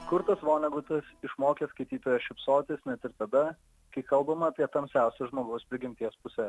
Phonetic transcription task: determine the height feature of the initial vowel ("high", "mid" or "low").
high